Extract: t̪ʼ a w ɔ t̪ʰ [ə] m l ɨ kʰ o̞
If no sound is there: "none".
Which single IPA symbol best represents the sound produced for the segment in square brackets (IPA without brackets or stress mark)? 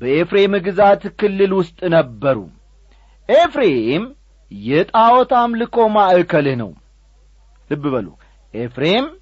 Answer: a